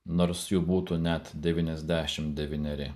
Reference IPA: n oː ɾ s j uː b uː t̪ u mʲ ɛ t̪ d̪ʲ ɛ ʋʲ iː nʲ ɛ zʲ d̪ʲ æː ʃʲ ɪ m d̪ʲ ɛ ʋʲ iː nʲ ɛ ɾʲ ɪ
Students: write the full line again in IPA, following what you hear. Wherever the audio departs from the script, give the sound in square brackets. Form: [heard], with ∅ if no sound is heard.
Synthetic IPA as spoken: n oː ɾ s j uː b uː t̪ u [nʲ] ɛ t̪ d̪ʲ ɛ ʋʲ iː nʲ ɛ zʲ d̪ʲ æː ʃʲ ɪ m d̪ʲ ɛ ʋʲ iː nʲ ɛ ɾʲ ɪ